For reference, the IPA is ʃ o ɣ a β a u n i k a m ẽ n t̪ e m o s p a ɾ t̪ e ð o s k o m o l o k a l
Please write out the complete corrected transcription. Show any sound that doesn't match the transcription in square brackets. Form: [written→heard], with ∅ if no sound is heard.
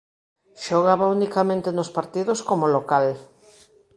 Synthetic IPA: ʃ o ɣ a β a u n i k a m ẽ n t̪ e [m→n] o s p a ɾ t̪ [e→i] ð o s k o m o l o k a l